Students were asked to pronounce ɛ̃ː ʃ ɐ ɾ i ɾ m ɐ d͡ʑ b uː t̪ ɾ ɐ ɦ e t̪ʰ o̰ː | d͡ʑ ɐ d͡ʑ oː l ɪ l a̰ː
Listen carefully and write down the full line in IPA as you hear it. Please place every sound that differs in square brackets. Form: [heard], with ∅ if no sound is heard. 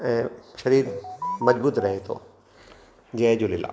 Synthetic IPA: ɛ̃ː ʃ ɐ ɾ [iː] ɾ m ɐ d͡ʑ b uː t̪ ɾ ɐ ɦ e t̪ʰ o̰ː | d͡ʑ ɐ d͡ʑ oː l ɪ l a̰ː